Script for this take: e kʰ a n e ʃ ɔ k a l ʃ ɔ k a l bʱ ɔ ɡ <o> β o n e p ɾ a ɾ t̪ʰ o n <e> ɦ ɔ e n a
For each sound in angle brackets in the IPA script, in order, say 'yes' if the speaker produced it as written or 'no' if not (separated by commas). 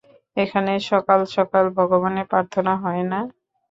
yes, no